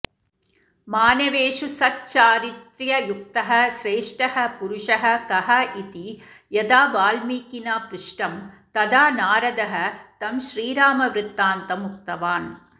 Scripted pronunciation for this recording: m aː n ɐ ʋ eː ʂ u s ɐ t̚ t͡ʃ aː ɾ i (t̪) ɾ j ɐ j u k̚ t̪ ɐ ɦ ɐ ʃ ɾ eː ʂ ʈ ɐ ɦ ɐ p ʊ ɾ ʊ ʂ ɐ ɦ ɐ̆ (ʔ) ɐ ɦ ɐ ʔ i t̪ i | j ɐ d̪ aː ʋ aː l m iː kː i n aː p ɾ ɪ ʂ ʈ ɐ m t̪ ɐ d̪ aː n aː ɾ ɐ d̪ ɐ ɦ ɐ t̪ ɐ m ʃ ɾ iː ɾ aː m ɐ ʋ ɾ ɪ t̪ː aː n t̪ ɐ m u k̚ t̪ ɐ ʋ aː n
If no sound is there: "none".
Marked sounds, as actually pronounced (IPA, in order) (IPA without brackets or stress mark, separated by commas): t̪, k